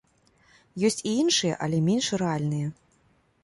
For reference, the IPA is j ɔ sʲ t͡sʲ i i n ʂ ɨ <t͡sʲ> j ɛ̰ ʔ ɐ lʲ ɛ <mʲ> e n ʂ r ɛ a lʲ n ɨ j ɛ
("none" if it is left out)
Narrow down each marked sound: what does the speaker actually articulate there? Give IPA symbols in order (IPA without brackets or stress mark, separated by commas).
none, mʲ